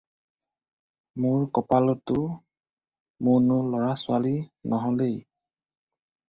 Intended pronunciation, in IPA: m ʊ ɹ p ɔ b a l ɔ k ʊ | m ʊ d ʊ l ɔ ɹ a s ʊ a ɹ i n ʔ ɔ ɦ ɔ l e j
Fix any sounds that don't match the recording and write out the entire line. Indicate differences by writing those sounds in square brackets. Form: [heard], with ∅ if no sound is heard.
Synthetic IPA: m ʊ ɹ [k] ɔ [p] a l ɔ [t] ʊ | m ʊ [n] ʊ l ɔ ɹ a s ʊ a [l] i n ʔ ɔ ɦ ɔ l e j